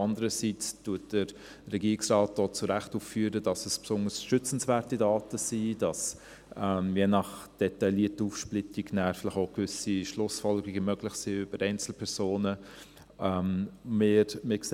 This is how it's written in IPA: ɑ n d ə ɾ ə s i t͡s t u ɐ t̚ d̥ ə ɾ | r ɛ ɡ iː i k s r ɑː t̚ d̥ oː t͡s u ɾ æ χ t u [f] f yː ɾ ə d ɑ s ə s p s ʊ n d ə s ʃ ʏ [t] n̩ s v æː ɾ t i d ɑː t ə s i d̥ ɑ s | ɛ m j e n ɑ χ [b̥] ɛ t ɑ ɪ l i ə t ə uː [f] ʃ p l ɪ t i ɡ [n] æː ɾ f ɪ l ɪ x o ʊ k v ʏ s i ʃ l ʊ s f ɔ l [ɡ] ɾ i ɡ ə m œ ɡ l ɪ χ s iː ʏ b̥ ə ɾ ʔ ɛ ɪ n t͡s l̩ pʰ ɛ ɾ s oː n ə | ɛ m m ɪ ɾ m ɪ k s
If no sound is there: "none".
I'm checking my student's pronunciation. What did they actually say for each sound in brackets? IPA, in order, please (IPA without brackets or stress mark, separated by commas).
f, t͡s, d̥, f, n, ɡ